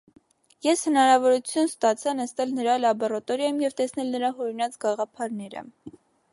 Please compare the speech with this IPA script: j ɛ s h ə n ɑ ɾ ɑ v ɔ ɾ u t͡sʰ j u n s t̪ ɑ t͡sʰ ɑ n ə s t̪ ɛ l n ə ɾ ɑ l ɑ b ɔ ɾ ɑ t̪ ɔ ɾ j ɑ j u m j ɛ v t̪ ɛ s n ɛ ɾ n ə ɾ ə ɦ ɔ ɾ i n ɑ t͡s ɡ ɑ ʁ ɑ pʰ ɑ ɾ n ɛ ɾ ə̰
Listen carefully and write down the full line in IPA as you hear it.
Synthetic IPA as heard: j ɛ s h ə n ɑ ɾ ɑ v ɔ ɾ u t͡sʰ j u n s t̪ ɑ t͡sʰ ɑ n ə s t̪ ɛ l n ə ɾ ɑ l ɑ b ɔ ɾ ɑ t̪ ɔ ɾ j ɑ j u m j ɛ v t̪ ɛ s n ɛ l n ə ɾ ɑ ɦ ɔ ɾ i n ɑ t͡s ɡ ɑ ʁ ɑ pʰ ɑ ɾ n ɛ ɾ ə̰